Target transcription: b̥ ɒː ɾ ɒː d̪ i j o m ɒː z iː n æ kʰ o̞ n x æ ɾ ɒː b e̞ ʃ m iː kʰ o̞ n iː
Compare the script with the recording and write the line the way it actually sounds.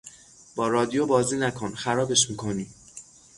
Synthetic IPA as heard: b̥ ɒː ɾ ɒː d̪ i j o b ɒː z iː n æ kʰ o̞ n x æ ɾ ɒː b e̞ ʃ m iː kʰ o̞ n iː